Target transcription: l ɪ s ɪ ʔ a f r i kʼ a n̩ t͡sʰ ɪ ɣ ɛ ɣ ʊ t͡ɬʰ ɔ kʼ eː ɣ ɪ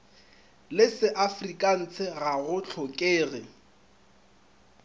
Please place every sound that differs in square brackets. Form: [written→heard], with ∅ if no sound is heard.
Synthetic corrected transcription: l ɪ s ɪ ʔ a f r i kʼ a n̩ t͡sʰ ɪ ɣ [ɛ→a] ɣ ʊ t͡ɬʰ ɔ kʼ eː ɣ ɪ

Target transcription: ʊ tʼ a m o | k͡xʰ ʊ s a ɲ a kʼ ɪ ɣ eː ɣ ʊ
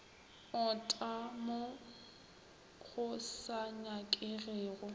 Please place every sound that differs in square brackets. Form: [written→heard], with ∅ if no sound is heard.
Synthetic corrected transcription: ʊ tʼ a m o | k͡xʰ ʊ s a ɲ a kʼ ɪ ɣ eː ɣ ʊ

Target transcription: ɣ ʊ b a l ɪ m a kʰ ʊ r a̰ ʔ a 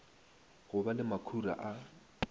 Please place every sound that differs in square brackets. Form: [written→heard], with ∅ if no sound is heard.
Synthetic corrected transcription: ɣ ʊ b a l ɪ m a kʰ [ʊ→u] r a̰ ʔ a

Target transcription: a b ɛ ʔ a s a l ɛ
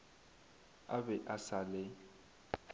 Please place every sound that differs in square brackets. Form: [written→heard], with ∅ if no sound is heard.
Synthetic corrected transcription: a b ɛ ʔ a s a l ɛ

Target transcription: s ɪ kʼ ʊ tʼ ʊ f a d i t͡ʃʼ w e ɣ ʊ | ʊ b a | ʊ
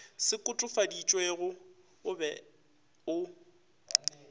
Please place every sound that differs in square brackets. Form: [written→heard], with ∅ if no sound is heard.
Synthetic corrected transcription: s ɪ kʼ ʊ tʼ ʊ f a d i t͡ʃʼ w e ɣ ʊ | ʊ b [a→ɛ] | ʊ

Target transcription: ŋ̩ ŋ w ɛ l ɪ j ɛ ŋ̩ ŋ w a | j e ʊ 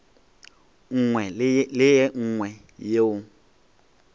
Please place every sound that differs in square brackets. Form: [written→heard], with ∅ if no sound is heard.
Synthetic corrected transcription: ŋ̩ ŋ w ɛ l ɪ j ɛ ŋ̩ ŋ w [a→ɛ] | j e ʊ

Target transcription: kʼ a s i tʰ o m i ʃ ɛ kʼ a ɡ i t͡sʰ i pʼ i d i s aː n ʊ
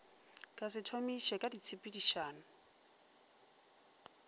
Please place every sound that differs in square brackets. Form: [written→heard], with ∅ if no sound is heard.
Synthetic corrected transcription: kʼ a s [i→ɪ] tʰ o m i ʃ ɛ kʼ a [ɡ→d] i t͡sʰ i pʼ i d i [s→ʃ] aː n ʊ

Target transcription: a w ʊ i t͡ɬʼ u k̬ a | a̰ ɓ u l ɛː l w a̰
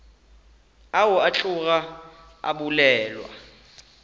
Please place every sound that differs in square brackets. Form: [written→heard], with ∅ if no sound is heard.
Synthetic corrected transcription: a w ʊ [i→a] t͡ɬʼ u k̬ a | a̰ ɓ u l ɛː l w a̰

